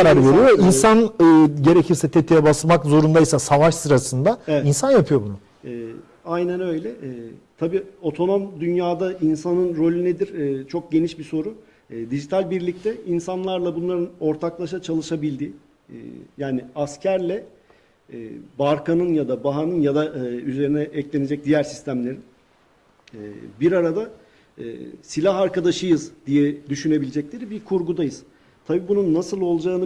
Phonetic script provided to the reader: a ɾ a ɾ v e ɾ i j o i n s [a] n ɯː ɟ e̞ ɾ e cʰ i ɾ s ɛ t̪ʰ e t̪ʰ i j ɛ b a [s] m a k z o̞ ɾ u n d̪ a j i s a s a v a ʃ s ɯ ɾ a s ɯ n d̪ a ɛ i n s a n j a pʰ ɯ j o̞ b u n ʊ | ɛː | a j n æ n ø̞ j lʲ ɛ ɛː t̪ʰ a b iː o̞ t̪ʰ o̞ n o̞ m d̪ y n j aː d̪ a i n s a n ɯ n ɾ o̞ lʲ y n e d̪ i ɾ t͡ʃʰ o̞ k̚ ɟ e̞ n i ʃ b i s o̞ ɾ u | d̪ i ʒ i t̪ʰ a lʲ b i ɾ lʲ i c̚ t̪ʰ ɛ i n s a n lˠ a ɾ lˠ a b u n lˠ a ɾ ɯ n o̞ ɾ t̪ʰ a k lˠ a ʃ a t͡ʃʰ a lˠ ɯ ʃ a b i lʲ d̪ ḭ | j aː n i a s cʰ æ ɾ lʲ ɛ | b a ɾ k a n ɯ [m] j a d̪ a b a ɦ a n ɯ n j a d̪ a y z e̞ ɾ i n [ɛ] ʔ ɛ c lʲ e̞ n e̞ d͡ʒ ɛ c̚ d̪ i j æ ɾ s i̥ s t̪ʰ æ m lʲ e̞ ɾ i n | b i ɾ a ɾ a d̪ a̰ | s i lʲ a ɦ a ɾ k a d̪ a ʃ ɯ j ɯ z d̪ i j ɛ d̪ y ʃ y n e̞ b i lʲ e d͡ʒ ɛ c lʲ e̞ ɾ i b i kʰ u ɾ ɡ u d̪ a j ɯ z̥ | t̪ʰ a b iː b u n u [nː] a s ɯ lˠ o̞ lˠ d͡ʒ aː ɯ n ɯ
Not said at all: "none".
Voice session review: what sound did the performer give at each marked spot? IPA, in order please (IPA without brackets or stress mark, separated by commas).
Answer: a, s, n, ɛ, nː